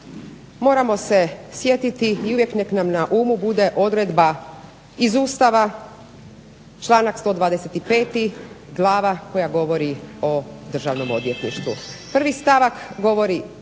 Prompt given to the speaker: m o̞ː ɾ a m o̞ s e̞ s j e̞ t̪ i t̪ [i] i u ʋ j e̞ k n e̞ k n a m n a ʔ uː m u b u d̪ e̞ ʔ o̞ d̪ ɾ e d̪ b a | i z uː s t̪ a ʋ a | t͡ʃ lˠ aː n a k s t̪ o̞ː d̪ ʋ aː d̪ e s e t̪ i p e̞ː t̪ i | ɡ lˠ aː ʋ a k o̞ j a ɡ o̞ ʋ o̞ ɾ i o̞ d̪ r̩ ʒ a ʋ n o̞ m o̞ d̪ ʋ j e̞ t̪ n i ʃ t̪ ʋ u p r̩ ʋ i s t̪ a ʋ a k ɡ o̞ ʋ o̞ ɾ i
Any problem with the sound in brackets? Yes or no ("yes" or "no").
no